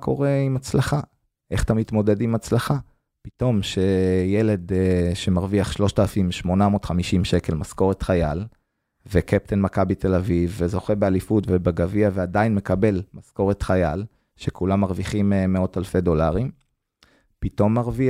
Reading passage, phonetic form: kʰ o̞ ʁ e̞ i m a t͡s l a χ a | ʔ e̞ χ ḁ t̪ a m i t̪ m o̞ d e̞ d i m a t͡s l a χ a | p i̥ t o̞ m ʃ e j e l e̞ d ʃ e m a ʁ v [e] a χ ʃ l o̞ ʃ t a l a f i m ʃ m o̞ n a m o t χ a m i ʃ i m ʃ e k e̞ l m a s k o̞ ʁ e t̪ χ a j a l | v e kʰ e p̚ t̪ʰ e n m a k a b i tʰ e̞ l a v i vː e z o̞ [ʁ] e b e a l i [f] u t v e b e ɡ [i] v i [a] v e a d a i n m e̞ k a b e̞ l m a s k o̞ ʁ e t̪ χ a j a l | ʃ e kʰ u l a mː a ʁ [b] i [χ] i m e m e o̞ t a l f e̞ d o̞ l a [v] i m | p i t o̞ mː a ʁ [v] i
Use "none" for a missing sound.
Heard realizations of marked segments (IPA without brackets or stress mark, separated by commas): i, χ, f, a, a, v, χ, ʁ, v